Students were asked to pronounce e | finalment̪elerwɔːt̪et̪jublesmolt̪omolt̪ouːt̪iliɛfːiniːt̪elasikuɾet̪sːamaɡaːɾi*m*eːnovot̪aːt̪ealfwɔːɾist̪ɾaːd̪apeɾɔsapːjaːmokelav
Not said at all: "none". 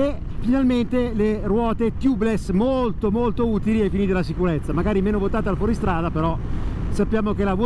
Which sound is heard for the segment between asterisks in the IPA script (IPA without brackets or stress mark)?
m